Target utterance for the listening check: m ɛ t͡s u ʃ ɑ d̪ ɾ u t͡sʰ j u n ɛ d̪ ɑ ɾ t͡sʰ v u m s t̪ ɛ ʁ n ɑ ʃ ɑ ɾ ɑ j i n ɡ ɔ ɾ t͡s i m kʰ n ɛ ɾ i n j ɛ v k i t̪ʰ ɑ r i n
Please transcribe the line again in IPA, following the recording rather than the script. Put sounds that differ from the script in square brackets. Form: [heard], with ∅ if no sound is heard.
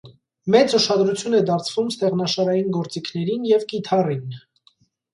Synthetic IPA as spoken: m ɛ t͡s u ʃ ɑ d̪ ɾ u t͡sʰ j u n ɛ d̪ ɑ ɾ t͡sʰ v u m s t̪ ɛ ʁ n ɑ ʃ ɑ ɾ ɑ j i n ɡ ɔ ɾ t͡s i [∅] kʰ n ɛ ɾ i n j ɛ v k i t̪ʰ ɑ r i n